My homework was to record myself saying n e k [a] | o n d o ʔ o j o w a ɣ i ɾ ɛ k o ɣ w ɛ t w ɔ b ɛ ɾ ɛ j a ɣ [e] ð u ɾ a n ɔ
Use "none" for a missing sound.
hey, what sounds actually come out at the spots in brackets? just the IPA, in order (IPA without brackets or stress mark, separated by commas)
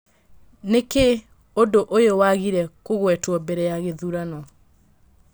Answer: e, e